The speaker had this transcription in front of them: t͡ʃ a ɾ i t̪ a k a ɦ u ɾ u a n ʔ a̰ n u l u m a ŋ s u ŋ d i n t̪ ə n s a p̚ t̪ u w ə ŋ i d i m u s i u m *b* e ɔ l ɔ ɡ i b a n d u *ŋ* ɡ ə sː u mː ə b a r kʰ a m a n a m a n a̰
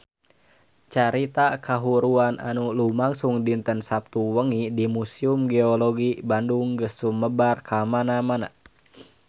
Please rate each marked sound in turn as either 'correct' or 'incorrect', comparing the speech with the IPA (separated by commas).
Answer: incorrect, correct